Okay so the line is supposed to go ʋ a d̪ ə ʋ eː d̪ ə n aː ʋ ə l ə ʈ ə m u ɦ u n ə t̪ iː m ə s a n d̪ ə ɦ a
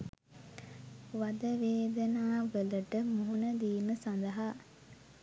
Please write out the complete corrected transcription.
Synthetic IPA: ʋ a d̪ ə ʋ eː d̪ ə n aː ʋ ə l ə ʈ ə m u ɦ u n ə d̪ iː m ə s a n d̪ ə ɦ a